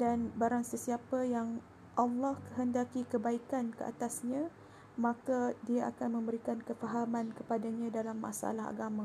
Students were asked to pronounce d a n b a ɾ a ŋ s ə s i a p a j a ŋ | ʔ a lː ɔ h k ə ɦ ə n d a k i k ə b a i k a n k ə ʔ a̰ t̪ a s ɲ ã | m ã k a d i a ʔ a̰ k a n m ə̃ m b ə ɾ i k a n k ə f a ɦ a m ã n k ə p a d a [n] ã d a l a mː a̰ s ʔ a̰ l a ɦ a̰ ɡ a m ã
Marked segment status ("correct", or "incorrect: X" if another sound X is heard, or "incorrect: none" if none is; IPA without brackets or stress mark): incorrect: ɲ